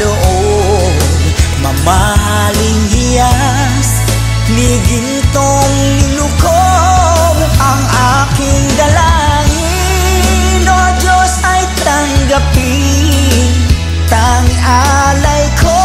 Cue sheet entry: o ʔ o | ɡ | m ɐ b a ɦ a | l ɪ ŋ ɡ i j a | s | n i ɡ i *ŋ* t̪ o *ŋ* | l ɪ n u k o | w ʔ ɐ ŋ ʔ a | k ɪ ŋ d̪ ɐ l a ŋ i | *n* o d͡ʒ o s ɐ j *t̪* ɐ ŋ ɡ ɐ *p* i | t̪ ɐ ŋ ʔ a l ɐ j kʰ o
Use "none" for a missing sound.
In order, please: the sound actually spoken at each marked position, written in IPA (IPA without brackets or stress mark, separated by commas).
n, ŋ, n, t̪, p